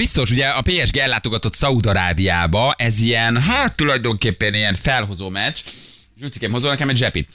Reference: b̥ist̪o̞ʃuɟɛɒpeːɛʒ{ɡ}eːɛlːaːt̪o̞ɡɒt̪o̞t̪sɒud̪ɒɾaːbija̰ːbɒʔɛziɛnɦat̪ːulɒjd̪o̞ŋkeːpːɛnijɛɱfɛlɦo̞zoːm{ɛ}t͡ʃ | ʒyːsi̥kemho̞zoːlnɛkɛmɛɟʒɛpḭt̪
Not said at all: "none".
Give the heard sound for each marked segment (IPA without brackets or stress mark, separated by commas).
ɡ, ɛ